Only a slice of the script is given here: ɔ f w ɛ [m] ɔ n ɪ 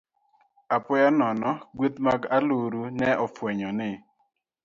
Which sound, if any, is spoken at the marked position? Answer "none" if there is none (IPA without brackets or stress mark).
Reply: ɲ